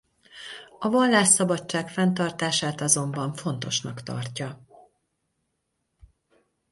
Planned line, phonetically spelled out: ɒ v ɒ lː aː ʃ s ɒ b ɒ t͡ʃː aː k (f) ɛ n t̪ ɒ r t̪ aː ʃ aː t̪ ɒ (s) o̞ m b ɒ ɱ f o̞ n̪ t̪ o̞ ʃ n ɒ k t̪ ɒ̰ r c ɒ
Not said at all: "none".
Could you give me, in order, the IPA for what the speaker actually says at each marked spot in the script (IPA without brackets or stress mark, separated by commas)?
f, z